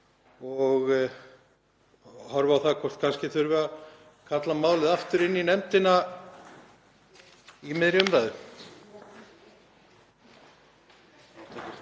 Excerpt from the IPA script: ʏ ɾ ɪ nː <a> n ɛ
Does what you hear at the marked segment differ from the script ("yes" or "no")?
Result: yes